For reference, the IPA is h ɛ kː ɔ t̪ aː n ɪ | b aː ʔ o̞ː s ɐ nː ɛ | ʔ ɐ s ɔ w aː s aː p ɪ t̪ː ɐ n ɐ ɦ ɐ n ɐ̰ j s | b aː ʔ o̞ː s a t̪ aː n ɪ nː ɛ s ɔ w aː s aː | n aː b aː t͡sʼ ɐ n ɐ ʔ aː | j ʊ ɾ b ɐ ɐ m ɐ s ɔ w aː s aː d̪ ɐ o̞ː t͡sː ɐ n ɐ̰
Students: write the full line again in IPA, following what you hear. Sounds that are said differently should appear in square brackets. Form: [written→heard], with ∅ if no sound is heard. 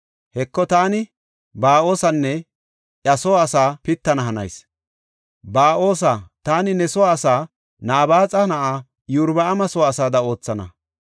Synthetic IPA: h ɛ kː ɔ t̪ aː n ɪ | b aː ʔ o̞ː s ɐ nː ɛ | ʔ ɐ s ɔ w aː s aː p ɪ t̪ː ɐ n ɐ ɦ ɐ n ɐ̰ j s | b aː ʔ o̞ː s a t̪ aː n ɪ [nː→n] ɛ s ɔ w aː s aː | n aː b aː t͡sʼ ɐ n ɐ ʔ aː | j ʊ ɾ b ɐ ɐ m ɐ s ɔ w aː s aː d̪ ɐ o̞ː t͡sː ɐ n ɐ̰